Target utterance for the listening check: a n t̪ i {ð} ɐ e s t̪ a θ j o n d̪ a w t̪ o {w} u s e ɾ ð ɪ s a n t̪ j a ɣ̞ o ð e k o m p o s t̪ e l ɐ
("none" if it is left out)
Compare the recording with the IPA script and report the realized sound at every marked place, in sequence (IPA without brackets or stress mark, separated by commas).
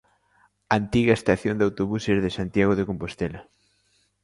ɣ, β